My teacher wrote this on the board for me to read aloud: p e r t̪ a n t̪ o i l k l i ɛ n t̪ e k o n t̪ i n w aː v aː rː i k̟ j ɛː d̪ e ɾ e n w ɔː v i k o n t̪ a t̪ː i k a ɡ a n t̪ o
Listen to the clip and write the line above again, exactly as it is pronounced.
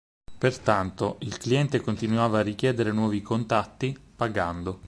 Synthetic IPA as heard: p e r t̪ a n t̪ o i l k l i ɛ n t̪ e k o n t̪ i n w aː v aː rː i k̟ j ɛː d̪ e ɾ e n w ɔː v i k o n t̪ a t̪ː i p a ɡ a n d̪ o